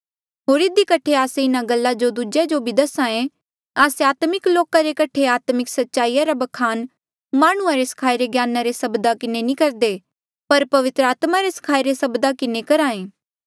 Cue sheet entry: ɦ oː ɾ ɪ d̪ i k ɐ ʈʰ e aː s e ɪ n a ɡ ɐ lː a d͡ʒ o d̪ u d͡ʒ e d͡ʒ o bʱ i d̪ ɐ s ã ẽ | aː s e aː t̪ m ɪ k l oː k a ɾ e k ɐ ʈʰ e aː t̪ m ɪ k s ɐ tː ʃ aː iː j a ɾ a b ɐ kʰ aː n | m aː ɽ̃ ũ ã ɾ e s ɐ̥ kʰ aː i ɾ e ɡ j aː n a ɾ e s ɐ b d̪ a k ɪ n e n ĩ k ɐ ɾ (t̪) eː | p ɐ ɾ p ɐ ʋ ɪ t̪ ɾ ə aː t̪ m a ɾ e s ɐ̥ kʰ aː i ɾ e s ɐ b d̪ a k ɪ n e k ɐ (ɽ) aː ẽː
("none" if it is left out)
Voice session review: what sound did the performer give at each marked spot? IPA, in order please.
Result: d̪, ɾ

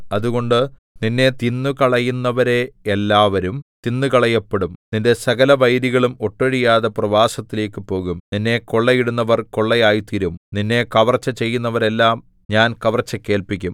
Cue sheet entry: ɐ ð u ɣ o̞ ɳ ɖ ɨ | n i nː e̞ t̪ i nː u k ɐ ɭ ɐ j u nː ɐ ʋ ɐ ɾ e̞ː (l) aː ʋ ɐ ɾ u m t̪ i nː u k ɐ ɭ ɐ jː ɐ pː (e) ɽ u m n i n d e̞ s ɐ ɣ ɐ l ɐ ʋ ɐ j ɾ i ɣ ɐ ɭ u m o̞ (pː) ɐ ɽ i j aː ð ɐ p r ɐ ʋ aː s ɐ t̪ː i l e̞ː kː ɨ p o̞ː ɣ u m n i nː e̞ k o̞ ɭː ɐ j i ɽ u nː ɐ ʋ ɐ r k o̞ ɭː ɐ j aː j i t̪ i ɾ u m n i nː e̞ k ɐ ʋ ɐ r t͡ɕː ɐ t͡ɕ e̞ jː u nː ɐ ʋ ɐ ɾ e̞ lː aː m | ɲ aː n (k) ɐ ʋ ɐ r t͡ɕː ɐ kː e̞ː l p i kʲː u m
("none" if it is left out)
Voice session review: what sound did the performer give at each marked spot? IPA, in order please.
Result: lː, e, ʈː, k

